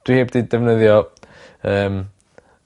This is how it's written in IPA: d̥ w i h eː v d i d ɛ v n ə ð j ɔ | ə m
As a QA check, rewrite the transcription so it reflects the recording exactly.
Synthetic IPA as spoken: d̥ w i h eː b d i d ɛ v n ə ð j ɔ | əː m